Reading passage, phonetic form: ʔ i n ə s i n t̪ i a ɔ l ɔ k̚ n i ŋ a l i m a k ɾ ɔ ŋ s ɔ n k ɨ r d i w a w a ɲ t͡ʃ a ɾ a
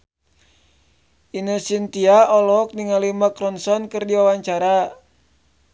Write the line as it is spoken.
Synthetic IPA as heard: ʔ i n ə s i n t̪ i a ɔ l ɔ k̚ n i ŋ a l i m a k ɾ ɔ n s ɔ n k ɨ r d i w a w a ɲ t͡ʃ a ɾ a